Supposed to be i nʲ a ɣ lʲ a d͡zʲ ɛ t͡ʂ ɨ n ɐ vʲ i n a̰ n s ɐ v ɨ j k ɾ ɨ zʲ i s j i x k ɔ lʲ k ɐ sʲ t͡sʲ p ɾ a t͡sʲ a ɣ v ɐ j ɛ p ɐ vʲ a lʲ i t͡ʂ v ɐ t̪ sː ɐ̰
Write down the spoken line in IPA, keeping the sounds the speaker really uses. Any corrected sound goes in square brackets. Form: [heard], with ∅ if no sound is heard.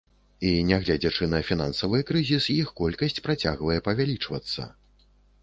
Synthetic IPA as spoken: i nʲ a ɣ lʲ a d͡zʲ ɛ t͡ʂ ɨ n ɐ [fʲ] i n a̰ n s ɐ v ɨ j k ɾ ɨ zʲ i s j i x k ɔ lʲ k ɐ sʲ t͡sʲ p ɾ a t͡sʲ a ɣ v ɐ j ɛ p ɐ vʲ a lʲ i t͡ʂ v ɐ t̪ sː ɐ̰